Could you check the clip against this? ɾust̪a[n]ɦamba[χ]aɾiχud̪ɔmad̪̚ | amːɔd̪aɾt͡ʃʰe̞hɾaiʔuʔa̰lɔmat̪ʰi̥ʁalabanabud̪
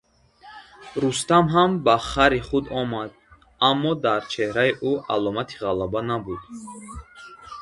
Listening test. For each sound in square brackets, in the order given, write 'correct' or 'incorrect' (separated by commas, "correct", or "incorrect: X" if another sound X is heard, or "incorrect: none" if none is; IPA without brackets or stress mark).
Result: incorrect: m, correct